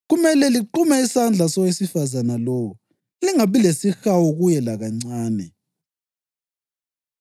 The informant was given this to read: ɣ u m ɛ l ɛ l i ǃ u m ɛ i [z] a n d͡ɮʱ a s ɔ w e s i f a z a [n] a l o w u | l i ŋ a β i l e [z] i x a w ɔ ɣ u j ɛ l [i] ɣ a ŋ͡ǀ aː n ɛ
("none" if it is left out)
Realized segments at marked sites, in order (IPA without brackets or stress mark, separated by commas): s, n, s, a